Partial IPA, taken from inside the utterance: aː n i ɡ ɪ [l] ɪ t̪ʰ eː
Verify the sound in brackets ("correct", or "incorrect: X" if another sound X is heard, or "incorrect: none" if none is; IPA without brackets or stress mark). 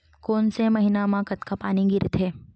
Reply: incorrect: ɾ